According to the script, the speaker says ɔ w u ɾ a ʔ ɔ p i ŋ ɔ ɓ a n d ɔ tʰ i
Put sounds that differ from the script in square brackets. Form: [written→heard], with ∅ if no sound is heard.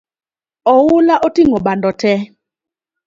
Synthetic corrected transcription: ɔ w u [ɾ→l] a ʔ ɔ [p→t] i ŋ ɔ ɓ a n d ɔ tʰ [i→ɛ]